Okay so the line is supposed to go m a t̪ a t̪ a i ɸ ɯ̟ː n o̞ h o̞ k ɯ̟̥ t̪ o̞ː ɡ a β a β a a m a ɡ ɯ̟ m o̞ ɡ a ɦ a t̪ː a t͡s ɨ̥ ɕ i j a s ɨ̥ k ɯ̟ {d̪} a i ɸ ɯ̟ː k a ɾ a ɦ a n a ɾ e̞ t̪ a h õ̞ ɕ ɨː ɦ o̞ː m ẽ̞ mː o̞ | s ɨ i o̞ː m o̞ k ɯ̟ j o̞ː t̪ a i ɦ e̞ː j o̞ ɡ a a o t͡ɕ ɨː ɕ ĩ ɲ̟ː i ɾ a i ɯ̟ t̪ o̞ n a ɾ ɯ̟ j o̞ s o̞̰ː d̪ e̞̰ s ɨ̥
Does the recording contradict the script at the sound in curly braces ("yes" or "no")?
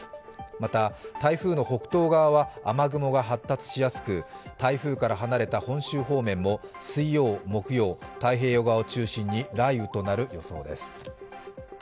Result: yes